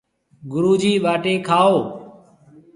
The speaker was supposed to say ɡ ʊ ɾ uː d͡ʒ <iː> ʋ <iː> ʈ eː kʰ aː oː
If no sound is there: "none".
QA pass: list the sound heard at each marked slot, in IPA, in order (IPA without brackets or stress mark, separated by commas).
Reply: iː, aː